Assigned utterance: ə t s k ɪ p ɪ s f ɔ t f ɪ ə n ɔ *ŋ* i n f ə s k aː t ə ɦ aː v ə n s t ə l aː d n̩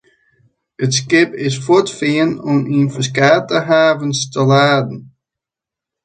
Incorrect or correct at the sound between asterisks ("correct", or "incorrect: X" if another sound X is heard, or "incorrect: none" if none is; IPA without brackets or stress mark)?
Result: incorrect: m